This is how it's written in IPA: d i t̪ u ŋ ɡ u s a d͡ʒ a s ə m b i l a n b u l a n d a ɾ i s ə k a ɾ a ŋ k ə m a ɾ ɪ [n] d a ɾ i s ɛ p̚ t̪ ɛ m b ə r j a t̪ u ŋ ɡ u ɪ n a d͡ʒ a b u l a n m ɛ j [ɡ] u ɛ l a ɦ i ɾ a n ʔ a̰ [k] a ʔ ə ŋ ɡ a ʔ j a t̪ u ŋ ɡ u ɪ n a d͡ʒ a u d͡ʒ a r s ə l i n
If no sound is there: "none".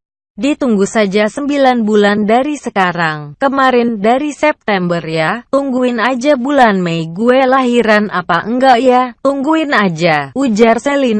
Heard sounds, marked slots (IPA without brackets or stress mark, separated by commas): n, ɡ, p